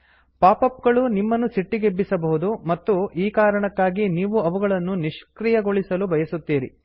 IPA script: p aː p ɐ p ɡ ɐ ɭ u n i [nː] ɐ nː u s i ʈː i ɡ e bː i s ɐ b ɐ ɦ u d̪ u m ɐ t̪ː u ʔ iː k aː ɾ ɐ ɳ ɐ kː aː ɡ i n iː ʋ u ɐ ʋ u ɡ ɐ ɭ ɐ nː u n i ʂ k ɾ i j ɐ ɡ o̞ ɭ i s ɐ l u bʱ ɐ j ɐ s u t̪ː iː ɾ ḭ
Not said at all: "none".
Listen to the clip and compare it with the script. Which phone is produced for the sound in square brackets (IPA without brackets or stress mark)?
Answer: mː